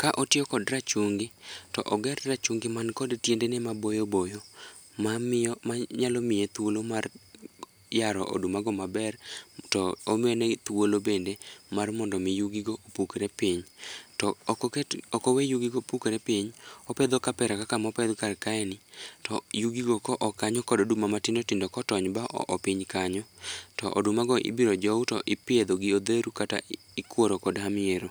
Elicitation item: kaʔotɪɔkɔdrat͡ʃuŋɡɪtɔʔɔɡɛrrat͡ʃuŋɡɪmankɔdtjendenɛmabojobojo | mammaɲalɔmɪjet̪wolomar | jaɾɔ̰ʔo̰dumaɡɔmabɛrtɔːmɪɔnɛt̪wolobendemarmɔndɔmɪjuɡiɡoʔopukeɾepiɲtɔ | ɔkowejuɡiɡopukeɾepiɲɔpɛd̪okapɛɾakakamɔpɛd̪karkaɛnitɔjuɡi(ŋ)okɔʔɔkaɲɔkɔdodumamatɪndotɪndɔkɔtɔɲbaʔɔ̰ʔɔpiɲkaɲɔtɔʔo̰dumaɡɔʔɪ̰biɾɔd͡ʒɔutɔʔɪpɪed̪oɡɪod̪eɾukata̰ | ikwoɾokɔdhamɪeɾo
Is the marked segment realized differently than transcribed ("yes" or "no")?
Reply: yes